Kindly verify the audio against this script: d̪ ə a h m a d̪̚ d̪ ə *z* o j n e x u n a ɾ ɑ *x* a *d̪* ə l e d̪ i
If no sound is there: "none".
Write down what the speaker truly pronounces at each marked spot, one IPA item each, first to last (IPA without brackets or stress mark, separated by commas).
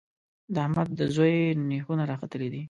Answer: z, x, t̪